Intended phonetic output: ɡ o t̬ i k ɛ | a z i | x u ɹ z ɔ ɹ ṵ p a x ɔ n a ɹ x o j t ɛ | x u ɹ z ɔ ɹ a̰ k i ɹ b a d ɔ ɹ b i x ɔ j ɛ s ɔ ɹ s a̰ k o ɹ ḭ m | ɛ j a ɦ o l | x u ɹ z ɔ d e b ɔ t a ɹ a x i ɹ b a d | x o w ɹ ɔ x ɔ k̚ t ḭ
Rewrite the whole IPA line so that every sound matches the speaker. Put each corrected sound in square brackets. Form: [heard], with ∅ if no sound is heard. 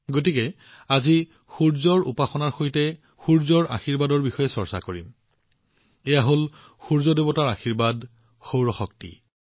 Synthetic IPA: ɡ o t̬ i k ɛ | a z i | x u ɹ z ɔ ɹ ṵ p a x ɔ n a ɹ x o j t ɛ | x u ɹ z ɔ ɹ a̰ [x] i ɹ b a d ɔ ɹ b i x ɔ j ɛ s ɔ ɹ s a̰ k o ɹ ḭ m | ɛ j a ɦ o l | x u ɹ z ɔ d e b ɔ t a ɹ a x i ɹ b a d | x o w ɹ ɔ x ɔ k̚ t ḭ